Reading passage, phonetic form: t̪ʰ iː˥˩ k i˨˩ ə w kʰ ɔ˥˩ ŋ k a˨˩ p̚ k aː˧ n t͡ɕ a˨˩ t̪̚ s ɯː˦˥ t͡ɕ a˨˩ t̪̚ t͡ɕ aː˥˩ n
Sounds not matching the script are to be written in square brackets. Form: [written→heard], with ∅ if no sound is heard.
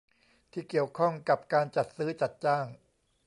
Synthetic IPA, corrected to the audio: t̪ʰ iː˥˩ k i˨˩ ə w kʰ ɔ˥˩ ŋ k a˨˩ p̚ k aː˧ n t͡ɕ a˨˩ t̪̚ s ɯː˦˥ t͡ɕ a˨˩ t̪̚ t͡ɕ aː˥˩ [n→ŋ]

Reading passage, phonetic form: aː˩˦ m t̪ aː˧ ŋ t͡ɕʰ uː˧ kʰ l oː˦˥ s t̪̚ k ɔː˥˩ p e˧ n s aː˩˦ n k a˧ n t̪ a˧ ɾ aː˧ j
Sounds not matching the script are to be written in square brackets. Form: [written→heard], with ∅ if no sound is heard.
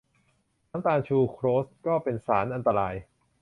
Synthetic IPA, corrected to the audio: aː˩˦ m t̪ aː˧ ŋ t͡ɕʰ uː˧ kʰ [l→ɾ] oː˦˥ s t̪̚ k ɔː˥˩ p e˧ n s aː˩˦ n [k→ʔ] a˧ n t̪ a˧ ɾ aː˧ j

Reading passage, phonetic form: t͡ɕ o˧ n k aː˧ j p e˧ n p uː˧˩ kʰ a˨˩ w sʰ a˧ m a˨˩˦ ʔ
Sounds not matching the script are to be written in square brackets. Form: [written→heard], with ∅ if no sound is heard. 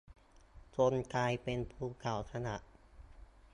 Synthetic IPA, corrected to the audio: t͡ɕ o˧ n k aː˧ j p e˧ n [p→pʰ] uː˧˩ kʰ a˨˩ w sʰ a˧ [m→n] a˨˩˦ ʔ

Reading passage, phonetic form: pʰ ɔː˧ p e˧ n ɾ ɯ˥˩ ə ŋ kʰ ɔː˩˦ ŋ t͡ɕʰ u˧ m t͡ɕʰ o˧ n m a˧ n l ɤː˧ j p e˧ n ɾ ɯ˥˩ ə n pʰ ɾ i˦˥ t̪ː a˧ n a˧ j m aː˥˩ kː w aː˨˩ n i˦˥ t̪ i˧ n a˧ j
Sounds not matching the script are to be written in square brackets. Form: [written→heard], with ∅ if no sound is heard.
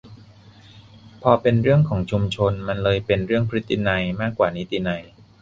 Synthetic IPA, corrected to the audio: pʰ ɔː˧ p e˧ n ɾ ɯ˥˩ ə ŋ kʰ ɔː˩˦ ŋ t͡ɕʰ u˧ m t͡ɕʰ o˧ n m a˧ n l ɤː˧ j p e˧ n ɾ ɯ˥˩ ə [n→ŋ] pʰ ɾ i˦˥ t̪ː [a˧→i˧] n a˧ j m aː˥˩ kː w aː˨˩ n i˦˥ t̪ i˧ n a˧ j

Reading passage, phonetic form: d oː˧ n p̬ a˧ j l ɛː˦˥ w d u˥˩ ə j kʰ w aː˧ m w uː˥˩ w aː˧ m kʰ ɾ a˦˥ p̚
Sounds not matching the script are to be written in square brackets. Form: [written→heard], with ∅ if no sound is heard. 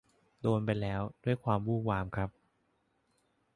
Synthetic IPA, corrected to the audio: d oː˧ n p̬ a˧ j l ɛː˦˥ w d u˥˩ ə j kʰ w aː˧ m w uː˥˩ w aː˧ m kʰ ɾ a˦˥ p̚

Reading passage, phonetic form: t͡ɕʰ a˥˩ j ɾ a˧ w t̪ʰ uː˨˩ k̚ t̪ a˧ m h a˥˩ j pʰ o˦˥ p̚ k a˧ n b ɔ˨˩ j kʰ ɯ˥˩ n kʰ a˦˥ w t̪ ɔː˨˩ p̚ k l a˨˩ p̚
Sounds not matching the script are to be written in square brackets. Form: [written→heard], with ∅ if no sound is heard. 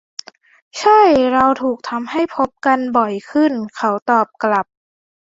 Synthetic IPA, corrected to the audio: t͡ɕʰ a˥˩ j ɾ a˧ w t̪ʰ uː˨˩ k̚ [t̪→t̪ʰ] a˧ m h a˥˩ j pʰ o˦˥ p̚ k a˧ n b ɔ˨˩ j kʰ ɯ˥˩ n kʰ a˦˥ w t̪ ɔː˨˩ p̚ k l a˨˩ p̚

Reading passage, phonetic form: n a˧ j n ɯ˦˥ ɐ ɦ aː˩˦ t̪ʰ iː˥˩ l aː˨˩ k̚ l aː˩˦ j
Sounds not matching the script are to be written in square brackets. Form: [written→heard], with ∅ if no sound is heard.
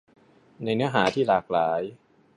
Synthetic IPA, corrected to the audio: n a˧ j n ɯ˦˥ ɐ ɦ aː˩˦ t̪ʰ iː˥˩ l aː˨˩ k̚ l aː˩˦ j

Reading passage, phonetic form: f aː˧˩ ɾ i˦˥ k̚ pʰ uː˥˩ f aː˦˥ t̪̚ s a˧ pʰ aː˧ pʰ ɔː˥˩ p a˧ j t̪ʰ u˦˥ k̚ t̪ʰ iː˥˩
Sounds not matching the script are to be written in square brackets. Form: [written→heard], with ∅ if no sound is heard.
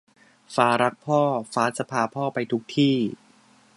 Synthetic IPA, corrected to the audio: f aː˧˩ ɾ [i˦˥→a˦˥] k̚ pʰ [uː˥˩→ɔː˥˩] f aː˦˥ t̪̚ s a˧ pʰ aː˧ pʰ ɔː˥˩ p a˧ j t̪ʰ u˦˥ k̚ t̪ʰ iː˥˩

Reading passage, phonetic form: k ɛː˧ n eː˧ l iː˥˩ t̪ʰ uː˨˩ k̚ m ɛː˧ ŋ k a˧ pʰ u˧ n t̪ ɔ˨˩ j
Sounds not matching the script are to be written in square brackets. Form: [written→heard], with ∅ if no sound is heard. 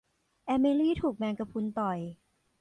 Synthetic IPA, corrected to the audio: [k→ʔ] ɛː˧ [n→m] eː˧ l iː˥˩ t̪ʰ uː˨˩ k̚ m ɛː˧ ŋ k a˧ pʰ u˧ n t̪ ɔ˨˩ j

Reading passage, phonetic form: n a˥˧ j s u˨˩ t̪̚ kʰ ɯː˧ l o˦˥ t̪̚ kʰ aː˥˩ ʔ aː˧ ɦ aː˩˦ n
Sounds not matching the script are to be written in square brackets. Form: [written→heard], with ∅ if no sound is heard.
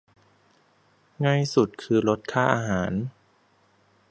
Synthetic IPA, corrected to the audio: [n→ŋ] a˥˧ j s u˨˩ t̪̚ kʰ ɯː˧ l o˦˥ t̪̚ kʰ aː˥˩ ʔ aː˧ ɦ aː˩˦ n

